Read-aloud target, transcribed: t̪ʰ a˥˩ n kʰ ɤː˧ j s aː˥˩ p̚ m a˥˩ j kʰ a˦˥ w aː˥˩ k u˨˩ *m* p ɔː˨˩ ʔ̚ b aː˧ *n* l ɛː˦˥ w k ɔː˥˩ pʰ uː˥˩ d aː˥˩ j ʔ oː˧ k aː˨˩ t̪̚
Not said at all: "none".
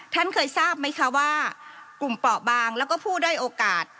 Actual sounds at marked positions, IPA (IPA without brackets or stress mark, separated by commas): m, ŋ